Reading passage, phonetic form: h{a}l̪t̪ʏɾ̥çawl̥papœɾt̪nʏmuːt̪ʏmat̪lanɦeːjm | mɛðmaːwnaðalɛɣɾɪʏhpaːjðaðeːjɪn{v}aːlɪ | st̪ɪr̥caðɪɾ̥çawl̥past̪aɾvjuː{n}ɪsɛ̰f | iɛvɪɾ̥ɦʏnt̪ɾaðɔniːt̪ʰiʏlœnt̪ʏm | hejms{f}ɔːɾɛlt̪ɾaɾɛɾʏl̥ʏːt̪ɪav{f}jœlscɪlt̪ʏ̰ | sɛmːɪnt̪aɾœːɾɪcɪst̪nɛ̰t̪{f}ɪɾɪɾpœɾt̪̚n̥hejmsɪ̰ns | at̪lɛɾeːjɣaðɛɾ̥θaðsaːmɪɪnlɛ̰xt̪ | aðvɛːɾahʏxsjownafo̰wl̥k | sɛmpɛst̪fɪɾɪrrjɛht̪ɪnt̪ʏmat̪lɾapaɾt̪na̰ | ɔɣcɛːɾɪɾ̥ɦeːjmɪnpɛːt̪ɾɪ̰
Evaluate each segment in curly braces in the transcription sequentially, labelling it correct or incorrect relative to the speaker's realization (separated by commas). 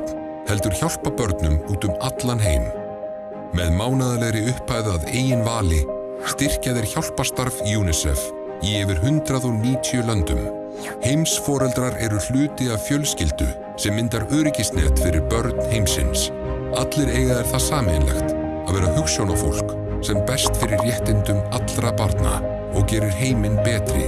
incorrect, correct, correct, correct, correct, correct